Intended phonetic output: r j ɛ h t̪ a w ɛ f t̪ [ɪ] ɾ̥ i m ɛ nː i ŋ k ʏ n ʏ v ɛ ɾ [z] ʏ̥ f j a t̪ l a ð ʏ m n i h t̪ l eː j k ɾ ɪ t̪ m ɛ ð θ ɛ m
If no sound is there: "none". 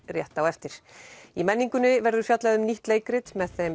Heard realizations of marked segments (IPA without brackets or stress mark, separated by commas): ɪ, ð